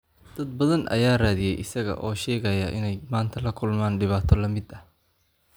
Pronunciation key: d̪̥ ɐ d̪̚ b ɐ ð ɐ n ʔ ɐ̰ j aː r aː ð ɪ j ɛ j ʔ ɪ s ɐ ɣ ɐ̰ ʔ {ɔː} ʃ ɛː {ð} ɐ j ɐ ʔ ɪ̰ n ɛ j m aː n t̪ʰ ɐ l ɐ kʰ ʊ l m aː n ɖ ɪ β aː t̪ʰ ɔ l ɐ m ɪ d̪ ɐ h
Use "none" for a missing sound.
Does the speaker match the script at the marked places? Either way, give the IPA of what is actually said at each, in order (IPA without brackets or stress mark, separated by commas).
ɔː, ɣ